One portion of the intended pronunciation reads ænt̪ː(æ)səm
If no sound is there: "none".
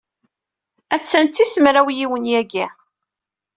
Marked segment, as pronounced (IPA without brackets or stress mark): i